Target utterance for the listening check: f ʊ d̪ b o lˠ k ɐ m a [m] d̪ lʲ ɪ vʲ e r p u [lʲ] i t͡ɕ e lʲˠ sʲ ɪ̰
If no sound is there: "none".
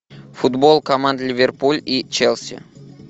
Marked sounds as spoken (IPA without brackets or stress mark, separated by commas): n, lʲ